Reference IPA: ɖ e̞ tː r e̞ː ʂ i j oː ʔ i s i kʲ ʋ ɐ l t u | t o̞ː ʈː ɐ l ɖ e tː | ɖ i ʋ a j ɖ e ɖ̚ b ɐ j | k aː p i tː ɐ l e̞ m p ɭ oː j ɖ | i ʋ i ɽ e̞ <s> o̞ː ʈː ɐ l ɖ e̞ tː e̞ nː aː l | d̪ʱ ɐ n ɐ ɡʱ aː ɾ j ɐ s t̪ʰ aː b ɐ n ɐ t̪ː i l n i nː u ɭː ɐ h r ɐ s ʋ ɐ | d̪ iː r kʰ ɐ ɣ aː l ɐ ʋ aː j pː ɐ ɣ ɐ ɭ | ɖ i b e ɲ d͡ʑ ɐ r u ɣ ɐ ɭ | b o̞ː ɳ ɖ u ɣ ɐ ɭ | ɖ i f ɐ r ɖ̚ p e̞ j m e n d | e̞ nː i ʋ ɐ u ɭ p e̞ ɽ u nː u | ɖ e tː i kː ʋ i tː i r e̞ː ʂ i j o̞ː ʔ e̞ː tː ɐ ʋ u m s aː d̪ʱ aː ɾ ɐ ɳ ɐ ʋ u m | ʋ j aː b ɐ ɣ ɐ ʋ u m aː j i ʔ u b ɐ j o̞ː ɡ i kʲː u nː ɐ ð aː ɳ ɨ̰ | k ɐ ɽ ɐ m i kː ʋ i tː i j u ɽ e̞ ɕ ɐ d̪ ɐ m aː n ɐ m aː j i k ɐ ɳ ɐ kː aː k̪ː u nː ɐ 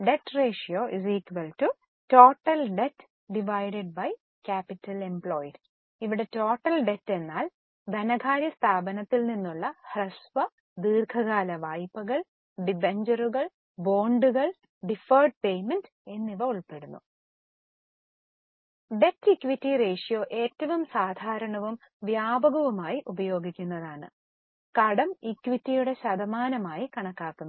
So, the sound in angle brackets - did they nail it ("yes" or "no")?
no